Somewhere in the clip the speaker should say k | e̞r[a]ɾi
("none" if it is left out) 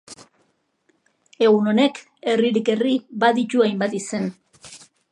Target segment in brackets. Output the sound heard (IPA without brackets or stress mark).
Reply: i